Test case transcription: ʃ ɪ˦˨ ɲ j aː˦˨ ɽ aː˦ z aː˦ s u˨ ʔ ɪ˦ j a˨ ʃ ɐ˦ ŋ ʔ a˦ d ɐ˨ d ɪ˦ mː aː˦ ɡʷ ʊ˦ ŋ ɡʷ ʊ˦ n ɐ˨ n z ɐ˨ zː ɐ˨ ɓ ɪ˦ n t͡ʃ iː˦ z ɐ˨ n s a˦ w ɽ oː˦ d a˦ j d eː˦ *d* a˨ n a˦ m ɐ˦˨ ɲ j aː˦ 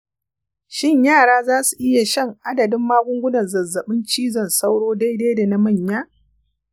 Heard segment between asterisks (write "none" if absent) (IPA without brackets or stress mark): d